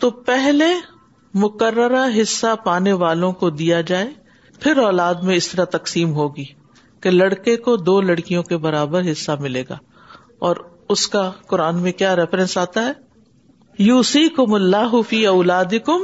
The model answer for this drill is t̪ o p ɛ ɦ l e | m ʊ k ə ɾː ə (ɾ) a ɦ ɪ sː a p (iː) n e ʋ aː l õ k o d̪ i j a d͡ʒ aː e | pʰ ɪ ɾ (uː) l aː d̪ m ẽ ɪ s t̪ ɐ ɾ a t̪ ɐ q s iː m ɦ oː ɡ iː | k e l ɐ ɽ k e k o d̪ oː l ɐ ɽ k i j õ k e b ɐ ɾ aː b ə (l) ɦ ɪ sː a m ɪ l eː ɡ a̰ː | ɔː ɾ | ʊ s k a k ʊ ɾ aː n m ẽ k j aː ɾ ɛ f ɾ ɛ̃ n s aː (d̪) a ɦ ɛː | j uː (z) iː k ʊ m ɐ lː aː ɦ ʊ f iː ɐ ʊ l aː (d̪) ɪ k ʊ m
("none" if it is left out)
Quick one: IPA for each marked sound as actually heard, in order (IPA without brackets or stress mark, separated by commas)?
ɾ, aː, ɔː, ɾ, t̪, s, d̪